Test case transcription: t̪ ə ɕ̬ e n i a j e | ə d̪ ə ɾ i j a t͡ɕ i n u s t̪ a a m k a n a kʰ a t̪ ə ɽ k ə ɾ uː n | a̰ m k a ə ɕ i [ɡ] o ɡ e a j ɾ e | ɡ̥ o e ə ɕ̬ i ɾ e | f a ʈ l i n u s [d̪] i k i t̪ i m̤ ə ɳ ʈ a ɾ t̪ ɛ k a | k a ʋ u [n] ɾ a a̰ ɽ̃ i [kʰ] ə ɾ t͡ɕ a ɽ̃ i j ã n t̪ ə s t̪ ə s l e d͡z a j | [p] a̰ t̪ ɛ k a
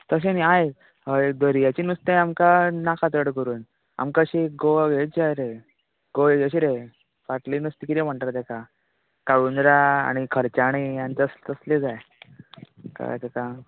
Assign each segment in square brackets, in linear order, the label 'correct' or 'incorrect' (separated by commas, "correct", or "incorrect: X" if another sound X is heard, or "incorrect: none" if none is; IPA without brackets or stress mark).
correct, incorrect: t̪, correct, correct, incorrect: k